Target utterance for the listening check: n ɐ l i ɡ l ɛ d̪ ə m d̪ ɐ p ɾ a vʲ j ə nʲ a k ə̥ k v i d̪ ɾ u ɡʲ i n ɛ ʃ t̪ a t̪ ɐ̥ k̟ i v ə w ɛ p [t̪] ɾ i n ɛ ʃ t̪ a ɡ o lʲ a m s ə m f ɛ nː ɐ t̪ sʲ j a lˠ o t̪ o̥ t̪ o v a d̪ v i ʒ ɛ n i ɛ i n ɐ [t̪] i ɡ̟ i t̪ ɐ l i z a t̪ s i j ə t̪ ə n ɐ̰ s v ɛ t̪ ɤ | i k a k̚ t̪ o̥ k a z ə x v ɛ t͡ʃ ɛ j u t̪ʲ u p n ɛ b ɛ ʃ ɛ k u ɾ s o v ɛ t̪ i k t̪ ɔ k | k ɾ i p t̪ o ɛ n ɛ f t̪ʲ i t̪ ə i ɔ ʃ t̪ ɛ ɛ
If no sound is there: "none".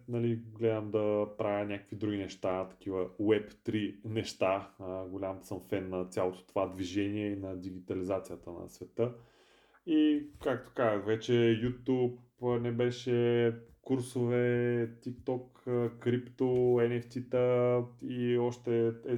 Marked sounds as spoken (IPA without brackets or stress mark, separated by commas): t̪, d̪